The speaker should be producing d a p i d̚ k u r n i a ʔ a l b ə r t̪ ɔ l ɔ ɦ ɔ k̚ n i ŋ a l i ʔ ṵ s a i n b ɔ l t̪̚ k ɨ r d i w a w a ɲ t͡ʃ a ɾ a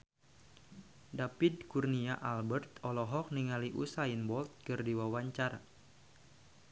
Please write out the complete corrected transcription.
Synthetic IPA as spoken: d a p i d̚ k u r n i a ʔ a l b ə r t̪ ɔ l ɔ ɦ ɔ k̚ n i ŋ a l i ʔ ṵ s a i n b ɔ l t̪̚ k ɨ r d i w a w a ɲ t͡ʃ a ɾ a